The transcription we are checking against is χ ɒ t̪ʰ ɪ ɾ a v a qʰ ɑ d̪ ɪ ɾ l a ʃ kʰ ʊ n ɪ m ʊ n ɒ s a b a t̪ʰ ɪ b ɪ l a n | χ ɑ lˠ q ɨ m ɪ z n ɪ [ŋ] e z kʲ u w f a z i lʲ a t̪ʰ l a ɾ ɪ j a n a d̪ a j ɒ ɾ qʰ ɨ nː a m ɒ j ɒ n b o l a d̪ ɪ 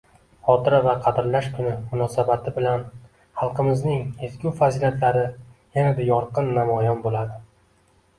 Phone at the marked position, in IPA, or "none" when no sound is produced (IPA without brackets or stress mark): ŋ